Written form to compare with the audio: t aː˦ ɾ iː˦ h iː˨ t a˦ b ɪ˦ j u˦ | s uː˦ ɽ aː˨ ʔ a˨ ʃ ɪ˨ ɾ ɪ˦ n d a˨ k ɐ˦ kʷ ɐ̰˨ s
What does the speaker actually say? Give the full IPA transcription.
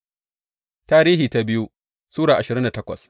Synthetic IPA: t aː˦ ɾ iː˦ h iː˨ t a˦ b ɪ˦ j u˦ | s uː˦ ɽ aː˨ ʔ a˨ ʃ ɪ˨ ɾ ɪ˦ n d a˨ t ɐ˦ kʷ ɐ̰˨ s